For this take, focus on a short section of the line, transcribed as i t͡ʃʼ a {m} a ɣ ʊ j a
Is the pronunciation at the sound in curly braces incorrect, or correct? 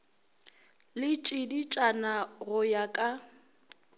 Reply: incorrect